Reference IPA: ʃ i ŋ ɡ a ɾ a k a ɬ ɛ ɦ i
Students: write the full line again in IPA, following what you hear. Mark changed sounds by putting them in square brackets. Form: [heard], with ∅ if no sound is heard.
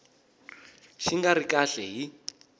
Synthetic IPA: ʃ i ŋ ɡ a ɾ [i] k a ɬ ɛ ɦ i

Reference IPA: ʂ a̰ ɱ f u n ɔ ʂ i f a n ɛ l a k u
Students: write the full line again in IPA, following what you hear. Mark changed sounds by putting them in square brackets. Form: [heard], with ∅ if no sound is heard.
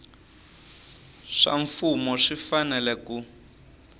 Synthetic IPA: ʂ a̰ ɱ f u [m] ɔ ʂ i f a n ɛ l [ɛ] k u

